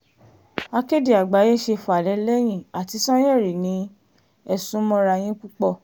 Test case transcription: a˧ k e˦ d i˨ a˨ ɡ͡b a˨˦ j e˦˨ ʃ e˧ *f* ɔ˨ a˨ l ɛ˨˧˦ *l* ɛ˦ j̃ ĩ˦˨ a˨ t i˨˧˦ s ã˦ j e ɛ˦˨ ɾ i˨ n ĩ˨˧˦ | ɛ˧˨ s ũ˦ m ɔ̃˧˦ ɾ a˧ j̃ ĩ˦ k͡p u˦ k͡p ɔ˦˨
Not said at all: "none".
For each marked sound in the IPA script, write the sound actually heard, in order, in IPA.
f, l

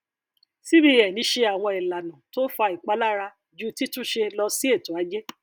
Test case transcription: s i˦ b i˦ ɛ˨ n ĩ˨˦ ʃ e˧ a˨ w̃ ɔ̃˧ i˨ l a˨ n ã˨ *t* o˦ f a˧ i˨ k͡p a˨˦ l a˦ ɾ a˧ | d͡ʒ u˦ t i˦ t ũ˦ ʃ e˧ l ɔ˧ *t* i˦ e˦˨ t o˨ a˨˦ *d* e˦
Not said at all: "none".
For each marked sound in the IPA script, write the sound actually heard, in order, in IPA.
t, s, d͡ʒ

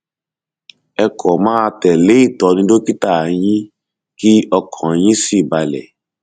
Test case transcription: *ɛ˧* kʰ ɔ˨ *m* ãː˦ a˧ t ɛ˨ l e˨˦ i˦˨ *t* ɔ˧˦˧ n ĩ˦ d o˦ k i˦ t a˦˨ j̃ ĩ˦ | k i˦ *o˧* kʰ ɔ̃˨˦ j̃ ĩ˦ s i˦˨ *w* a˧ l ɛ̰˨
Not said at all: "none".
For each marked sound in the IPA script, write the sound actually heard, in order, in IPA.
ɛ˧, m, t, ɔ˧, b

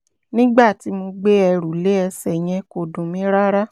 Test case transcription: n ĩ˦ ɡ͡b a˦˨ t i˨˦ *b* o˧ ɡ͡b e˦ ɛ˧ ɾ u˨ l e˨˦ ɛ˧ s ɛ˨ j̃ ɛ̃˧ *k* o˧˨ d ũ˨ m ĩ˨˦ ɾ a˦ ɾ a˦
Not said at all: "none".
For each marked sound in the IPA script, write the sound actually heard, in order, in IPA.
m, k

